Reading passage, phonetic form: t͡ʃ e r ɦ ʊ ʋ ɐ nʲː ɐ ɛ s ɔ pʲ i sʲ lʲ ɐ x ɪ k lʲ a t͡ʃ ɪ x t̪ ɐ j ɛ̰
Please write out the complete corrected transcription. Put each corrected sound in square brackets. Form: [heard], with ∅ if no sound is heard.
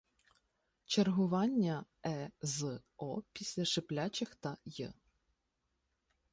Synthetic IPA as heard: t͡ʃ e r ɦ ʊ ʋ [ɑ] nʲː ɐ ɛ [z] ɔ pʲ i sʲ lʲ ɐ [ʃ] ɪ [p] lʲ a t͡ʃ ɪ x t̪ ɐ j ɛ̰